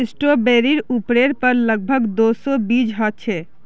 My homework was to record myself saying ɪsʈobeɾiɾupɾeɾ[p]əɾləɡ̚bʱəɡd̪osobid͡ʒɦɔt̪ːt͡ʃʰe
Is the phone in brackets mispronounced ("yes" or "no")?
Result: no